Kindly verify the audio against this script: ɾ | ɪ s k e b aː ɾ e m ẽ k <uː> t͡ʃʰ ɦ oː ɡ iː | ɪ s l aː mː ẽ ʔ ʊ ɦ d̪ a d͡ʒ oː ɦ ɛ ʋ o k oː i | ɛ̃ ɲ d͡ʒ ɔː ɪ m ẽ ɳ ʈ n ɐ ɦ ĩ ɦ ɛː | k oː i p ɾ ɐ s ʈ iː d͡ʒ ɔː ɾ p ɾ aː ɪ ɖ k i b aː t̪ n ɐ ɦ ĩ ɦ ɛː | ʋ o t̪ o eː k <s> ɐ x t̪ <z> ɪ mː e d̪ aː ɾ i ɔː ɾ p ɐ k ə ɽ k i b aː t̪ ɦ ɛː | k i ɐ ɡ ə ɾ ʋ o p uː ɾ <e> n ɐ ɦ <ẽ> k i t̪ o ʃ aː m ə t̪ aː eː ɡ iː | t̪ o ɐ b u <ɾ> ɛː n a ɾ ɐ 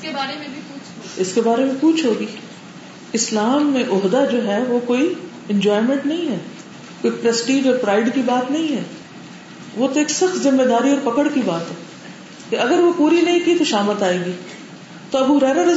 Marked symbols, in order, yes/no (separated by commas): yes, yes, yes, no, no, yes